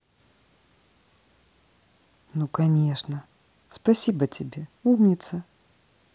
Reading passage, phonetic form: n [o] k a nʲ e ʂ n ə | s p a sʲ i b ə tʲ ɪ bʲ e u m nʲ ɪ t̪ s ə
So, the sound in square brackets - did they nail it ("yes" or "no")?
no